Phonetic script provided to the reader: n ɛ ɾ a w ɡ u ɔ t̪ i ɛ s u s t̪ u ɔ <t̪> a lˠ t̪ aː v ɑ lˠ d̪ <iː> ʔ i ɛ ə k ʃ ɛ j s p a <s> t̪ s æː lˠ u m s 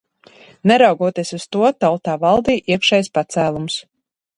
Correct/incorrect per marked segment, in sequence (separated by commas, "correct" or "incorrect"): correct, correct, incorrect